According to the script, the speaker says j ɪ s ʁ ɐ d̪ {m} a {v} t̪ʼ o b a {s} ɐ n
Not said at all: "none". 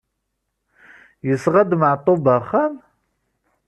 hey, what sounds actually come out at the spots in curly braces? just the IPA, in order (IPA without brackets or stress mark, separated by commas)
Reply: m, ʕ, χ